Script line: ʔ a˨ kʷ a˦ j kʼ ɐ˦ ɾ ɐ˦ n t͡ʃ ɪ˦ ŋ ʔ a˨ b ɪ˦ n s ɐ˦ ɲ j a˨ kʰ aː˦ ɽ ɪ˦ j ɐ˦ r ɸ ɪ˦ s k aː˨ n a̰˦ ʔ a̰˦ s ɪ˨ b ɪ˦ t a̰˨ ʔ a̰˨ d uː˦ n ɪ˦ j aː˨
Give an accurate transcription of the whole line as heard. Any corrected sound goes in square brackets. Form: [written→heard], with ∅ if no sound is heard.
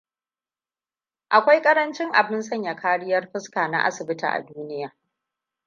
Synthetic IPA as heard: ʔ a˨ kʷ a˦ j kʼ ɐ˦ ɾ ɐ˦ n t͡ʃ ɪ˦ ŋ ʔ a˨ b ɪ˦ n s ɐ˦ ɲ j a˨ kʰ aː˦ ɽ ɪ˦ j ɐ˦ r ɸ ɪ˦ s k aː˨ n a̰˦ ʔ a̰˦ s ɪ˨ b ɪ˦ t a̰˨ ʔ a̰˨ d uː˦ n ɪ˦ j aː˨